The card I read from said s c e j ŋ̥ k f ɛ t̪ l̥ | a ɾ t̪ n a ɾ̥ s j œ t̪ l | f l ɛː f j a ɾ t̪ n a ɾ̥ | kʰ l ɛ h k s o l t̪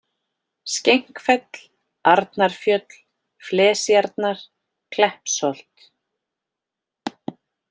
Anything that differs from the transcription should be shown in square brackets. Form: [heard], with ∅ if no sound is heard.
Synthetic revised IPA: s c e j ŋ̥ k f ɛ t̪ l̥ | a ɾ t̪ n a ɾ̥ [f] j œ t̪ l | f l ɛː [s] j a ɾ t̪ n a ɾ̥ | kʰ l ɛ h [p] s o l t̪